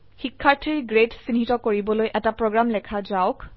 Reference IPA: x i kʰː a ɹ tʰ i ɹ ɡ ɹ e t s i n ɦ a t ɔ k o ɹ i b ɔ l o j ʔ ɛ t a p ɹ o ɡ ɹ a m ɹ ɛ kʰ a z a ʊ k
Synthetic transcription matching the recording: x i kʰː a ɹ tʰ i ɹ ɡ ɹ e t s i n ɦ i t ɔ k o ɹ i b ɔ l o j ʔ ɛ t a p ɹ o ɡ ɹ a m l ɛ kʰ a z a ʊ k